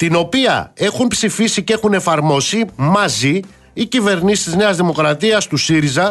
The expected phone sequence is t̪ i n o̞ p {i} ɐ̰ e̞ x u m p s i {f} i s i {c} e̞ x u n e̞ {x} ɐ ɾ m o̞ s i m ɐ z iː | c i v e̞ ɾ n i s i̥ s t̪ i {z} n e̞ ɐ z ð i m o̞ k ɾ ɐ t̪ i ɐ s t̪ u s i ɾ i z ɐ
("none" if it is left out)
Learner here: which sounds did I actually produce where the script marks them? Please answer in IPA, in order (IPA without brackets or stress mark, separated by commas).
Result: i, f, c, f, z